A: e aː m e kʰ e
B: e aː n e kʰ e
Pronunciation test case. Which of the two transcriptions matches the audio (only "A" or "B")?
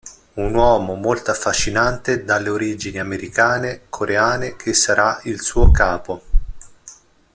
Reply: B